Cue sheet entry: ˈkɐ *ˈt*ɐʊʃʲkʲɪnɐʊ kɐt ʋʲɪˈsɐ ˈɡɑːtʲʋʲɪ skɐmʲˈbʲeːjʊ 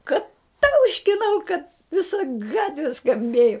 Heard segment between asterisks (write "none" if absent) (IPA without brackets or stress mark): t